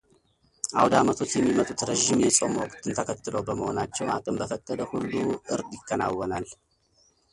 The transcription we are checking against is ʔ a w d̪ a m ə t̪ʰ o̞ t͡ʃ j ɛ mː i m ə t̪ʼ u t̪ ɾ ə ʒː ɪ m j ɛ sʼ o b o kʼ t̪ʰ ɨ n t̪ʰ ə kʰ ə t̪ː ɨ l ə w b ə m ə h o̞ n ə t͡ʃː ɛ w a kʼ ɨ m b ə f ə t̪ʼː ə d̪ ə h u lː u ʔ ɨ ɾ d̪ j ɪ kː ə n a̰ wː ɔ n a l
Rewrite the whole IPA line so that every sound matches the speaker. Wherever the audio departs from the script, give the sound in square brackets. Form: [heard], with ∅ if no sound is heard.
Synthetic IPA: ʔ a w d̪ a m ə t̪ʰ o̞ t͡ʃ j ɛ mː i m ə t̪ʼ u t̪ ɾ ə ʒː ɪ m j ɛ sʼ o [m] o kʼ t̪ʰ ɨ n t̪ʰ ə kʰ ə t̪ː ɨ l ə w b ə m ə h o̞ n [a] t͡ʃː ɛ w a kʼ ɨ m b ə f ə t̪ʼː ə d̪ ə h u lː u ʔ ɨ ɾ d̪ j ɪ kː ə n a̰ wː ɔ n a l